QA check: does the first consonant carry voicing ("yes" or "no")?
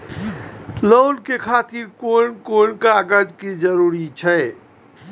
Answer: yes